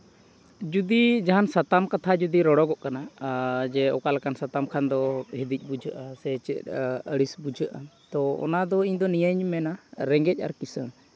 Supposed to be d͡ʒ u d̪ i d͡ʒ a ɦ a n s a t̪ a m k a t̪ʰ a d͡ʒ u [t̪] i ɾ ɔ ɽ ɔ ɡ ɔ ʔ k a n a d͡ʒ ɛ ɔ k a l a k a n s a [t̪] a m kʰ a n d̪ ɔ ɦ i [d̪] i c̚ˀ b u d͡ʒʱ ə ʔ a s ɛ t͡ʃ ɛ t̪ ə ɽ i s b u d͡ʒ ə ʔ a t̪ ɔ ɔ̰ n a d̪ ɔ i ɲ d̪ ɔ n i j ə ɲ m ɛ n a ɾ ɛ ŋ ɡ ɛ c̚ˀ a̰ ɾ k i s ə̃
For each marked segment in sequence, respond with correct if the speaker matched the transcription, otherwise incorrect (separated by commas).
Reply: incorrect, correct, correct